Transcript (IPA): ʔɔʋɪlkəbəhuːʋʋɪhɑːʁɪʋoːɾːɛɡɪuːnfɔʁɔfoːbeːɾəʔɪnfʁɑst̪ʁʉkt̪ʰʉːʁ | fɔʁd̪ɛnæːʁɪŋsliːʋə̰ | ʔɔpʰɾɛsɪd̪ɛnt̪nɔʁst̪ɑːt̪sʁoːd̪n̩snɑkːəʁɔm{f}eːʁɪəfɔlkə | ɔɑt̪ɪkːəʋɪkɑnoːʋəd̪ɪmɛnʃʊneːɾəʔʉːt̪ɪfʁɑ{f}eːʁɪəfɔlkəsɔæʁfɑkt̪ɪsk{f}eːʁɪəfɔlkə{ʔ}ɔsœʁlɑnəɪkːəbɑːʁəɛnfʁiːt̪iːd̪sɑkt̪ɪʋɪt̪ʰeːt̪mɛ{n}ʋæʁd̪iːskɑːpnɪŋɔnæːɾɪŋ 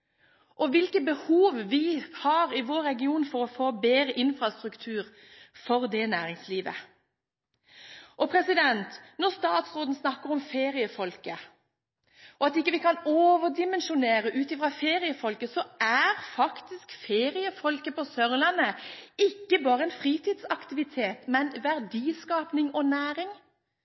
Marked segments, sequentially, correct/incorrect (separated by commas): correct, correct, correct, incorrect, correct